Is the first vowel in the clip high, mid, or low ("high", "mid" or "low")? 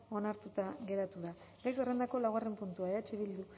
mid